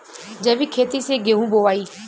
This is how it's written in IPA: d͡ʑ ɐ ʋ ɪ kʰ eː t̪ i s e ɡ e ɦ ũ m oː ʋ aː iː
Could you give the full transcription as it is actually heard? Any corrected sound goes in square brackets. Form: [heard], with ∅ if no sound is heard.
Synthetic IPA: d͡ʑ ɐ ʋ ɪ kʰ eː t̪ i s e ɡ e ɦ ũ [b] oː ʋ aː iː